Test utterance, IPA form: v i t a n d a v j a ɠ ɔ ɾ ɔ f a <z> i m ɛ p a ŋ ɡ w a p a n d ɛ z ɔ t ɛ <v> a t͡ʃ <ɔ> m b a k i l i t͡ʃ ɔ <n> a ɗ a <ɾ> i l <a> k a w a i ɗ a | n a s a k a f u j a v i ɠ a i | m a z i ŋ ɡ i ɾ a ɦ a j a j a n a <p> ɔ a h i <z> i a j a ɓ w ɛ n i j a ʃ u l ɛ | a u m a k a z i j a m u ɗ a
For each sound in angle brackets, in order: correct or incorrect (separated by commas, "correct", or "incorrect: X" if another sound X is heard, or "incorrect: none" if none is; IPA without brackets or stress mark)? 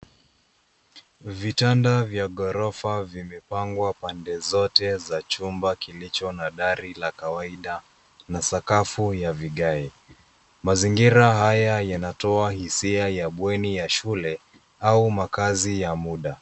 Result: incorrect: v, incorrect: z, incorrect: u, correct, correct, correct, incorrect: t, incorrect: s